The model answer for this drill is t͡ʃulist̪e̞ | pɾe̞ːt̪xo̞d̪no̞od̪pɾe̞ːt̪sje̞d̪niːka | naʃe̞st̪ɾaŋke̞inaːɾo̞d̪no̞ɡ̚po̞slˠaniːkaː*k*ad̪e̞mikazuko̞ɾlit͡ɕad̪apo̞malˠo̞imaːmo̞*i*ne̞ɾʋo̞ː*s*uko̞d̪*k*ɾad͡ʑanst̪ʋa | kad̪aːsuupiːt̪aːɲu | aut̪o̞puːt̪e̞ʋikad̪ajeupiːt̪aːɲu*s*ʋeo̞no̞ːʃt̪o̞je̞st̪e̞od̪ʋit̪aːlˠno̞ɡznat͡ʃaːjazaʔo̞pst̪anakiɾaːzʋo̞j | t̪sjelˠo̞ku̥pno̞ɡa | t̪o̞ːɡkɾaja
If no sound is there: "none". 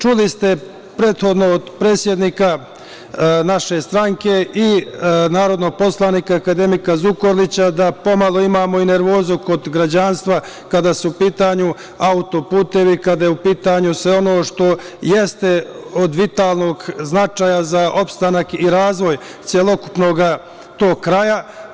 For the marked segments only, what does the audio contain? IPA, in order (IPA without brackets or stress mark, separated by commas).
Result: k, i, z, ɡ, s